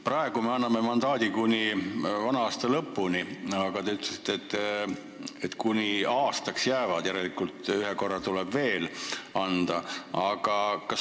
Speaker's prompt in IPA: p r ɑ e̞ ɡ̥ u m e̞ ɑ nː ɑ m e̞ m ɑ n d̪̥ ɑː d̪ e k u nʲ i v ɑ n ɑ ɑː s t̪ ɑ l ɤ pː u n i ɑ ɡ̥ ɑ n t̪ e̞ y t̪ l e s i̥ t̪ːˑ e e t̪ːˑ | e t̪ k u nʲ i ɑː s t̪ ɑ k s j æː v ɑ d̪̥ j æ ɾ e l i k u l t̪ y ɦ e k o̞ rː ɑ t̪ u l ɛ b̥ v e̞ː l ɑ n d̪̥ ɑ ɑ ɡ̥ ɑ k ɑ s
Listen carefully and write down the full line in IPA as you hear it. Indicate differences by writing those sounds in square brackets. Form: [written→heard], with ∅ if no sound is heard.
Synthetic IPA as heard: p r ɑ e̞ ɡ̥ u m e̞ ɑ nː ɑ m e̞ m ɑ n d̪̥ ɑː d̪ [e→i] k u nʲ i v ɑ n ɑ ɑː s t̪ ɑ l ɤ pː u n i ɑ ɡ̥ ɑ [n→∅] t̪ e̞ y t̪ l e s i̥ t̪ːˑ e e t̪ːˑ | e t̪ k u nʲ i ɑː s t̪ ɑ k s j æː v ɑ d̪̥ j æ ɾ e l i k u l t̪ y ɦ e k o̞ rː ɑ t̪ u l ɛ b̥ v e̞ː l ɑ n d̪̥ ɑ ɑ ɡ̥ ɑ k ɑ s